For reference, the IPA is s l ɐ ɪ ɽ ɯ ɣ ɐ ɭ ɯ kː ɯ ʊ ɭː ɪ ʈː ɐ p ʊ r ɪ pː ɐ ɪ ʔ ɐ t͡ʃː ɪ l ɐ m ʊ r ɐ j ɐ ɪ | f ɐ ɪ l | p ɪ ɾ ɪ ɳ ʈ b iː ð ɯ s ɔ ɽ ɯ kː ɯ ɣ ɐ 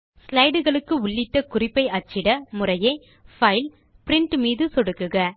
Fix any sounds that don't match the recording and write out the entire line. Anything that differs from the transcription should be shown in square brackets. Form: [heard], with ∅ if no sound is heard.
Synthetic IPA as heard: s l ɐ ɪ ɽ ɯ ɣ ɐ ɭ ɯ kː ɯ ʊ ɭː ɪ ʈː ɐ [k] ʊ r ɪ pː ɐ ɪ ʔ ɐ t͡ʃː ɪ [ɽ] ɐ m ʊ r ɐ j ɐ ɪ | f ɐ ɪ l | p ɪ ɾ ɪ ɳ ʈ [m] iː ð ɯ s ɔ ɽ ɯ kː ɯ ɣ ɐ